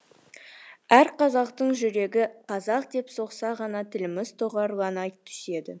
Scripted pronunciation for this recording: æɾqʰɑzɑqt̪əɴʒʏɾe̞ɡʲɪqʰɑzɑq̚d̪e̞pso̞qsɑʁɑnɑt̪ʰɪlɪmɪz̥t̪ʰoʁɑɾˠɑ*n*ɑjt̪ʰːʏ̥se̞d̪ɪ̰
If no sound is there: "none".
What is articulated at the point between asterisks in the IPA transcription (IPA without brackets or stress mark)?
n